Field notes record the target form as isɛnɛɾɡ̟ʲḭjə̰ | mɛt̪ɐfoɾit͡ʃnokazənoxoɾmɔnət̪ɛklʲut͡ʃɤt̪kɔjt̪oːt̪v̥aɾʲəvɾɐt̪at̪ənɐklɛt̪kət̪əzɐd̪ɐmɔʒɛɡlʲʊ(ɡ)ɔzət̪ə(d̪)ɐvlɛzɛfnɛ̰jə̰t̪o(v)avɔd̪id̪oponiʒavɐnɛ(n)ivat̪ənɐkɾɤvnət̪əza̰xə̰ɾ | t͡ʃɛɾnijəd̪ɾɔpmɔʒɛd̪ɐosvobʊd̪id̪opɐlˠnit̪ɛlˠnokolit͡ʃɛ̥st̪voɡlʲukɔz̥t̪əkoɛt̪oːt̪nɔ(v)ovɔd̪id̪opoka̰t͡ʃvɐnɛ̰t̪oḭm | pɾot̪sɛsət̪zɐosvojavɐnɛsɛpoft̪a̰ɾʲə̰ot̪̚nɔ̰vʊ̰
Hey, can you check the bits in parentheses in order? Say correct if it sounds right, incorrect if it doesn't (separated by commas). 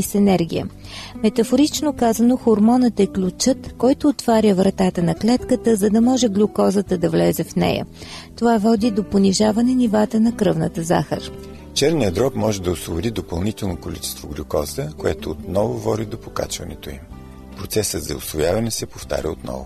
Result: incorrect, correct, correct, correct, correct